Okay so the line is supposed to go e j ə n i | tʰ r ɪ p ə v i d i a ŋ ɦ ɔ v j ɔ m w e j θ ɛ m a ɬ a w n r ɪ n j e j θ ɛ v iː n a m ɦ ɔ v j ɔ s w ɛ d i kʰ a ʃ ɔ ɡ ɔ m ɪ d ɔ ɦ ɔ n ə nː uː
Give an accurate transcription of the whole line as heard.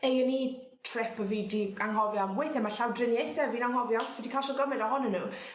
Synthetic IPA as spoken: e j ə n i | tʰ r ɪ p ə v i d i a ŋ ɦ ɔ v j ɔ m w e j θ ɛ m a ɬ a w d r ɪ n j e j θ ɛ v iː n a ŋ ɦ ɔ v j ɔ s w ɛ d i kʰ a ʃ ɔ ɡ ɔ m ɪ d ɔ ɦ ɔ n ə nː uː